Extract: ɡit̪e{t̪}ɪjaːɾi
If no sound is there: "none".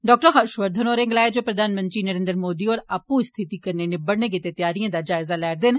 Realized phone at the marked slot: t̪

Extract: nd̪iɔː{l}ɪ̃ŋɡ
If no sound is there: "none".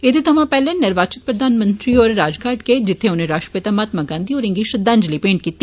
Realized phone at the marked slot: ɾ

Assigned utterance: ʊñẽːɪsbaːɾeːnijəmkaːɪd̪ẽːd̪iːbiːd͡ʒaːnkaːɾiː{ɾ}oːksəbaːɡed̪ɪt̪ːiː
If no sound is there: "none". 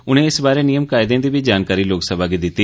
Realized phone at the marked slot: l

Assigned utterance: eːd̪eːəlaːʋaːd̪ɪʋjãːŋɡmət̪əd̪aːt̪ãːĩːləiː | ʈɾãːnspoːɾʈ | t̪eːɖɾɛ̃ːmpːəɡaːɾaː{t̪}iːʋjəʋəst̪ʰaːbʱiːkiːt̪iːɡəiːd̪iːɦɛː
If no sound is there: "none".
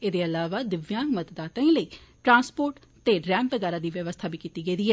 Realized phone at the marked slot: d̪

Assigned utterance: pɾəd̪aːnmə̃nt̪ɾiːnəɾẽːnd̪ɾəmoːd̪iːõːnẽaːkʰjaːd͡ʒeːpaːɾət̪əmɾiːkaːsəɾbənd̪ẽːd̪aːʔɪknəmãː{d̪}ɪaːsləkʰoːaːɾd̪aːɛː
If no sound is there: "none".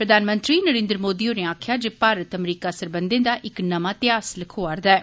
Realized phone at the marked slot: t̪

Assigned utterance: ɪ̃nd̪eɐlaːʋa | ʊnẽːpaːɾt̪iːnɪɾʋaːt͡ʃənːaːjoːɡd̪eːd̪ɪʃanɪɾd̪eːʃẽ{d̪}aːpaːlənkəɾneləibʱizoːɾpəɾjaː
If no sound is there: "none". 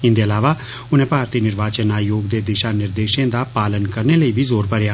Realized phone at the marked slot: d̪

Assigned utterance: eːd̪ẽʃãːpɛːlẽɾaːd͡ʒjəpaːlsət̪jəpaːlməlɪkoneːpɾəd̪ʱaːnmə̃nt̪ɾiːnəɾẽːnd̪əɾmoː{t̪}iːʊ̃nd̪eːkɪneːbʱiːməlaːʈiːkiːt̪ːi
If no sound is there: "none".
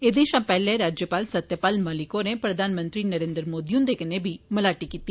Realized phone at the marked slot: d̪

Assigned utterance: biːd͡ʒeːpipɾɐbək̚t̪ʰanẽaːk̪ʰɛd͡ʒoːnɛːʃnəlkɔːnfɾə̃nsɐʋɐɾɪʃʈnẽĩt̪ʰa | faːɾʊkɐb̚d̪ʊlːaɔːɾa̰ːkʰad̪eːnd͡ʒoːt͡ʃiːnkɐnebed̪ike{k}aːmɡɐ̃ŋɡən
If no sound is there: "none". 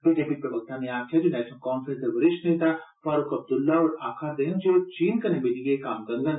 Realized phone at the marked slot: k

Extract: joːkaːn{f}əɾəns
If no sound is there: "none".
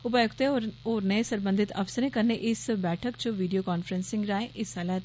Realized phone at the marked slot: f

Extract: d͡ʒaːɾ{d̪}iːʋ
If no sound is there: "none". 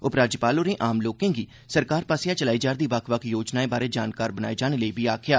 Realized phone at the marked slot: d̪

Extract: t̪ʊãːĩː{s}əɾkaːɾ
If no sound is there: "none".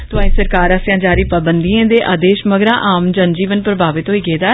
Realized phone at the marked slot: s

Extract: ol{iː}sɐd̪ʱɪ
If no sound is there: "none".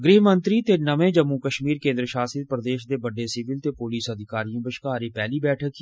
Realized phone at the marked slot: iː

